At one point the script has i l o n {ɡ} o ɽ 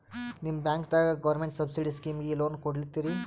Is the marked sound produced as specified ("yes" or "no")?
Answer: no